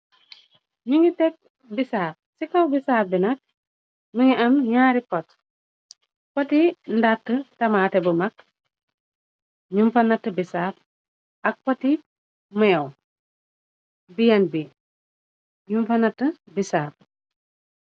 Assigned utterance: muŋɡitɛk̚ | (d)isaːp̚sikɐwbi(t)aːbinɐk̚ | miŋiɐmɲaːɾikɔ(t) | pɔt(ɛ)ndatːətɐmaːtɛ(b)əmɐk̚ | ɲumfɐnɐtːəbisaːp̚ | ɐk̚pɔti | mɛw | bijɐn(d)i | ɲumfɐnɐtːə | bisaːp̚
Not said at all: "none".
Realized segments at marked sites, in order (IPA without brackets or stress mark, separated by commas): b, s, t, i, b, b